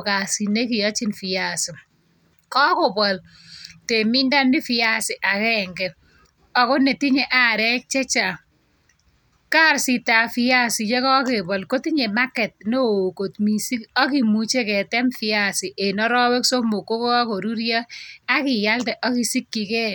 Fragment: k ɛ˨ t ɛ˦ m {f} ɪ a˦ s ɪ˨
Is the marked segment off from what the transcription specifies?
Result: no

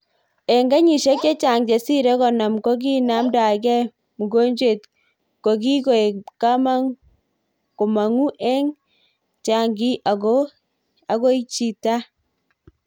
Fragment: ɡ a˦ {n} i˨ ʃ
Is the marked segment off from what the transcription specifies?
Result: yes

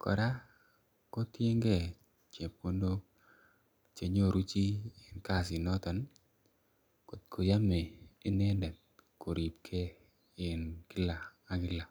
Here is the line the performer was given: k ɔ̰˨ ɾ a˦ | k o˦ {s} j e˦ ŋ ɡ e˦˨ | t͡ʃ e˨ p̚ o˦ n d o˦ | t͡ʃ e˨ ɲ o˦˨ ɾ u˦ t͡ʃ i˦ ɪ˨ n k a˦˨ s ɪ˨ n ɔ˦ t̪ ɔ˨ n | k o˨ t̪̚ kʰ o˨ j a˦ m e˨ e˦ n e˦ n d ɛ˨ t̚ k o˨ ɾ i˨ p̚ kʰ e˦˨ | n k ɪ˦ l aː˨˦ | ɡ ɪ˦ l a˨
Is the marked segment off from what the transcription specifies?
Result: yes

